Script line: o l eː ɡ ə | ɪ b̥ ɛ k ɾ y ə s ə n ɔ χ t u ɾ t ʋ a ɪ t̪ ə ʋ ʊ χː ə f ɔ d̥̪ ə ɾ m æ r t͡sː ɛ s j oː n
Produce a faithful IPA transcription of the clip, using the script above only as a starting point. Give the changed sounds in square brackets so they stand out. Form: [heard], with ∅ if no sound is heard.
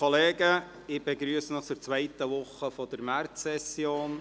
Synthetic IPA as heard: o l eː ɡ ə | ɪ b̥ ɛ [ɡ] ɾ y ə s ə n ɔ χ [t͡s] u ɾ [t͡s] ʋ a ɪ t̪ ə ʋ ʊ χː ə f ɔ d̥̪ ə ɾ m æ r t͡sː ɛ s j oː n